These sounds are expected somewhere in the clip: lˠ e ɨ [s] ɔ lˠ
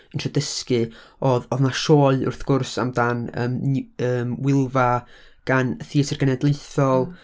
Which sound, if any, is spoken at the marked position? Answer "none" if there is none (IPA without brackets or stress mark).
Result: θ